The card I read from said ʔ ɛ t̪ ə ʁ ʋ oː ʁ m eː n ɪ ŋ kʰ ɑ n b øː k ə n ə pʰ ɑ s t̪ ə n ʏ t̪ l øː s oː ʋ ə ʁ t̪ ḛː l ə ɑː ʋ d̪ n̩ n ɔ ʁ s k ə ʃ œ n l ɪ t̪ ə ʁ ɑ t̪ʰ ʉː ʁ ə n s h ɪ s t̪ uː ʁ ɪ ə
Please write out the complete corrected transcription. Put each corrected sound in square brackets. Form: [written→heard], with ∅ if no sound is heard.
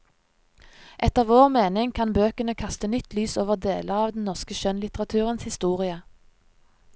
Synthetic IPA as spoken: ʔ ɛ t̪ ə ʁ ʋ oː ʁ m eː n ɪ ŋ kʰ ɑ n b øː k ə n ə [pʰ→kʰ] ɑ s t̪ ə n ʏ t̪ l [øː→yː] s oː ʋ ə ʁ [t̪→d̪] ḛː l ə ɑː ʋ d̪ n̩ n ɔ ʁ s k ə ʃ œ n l ɪ t̪ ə ʁ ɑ t̪ʰ ʉː ʁ ə n s h ɪ s t̪ uː ʁ ɪ ə